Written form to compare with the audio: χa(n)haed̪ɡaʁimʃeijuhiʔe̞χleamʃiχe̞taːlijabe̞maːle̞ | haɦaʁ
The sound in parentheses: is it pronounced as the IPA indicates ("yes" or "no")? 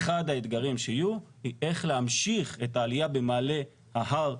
no